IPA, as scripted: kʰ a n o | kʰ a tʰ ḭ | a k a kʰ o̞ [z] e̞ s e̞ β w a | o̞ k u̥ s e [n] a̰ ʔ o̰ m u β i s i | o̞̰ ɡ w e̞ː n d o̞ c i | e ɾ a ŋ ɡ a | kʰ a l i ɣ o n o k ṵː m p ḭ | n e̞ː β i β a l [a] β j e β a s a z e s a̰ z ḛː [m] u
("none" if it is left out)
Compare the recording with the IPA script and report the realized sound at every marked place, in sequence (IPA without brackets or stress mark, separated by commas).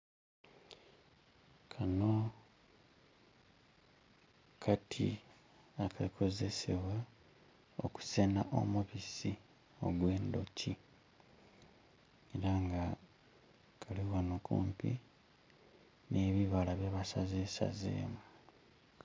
z, n, a, m